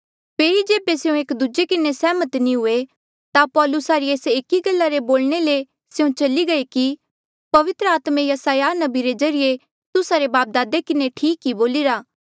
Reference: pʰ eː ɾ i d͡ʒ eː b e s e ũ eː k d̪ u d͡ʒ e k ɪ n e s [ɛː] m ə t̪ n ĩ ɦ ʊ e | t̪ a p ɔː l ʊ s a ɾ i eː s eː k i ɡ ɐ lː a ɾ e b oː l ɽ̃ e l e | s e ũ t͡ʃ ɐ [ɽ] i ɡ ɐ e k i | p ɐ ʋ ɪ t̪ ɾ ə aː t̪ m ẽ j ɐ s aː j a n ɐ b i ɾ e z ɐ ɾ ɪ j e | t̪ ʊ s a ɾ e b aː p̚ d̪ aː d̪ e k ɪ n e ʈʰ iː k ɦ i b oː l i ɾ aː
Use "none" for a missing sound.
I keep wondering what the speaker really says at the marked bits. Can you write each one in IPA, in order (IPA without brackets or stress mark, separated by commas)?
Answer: ɛː, l